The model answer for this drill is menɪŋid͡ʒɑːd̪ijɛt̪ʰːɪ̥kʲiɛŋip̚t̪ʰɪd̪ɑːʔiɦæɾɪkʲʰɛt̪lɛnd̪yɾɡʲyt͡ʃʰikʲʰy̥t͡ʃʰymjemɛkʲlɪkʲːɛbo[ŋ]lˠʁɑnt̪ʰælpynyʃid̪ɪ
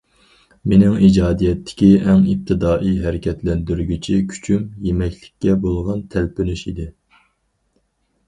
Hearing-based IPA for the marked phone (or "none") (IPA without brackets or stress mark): none